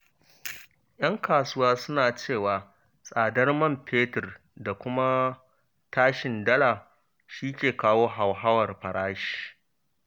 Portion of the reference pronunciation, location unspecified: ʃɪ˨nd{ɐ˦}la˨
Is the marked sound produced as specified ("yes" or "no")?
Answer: yes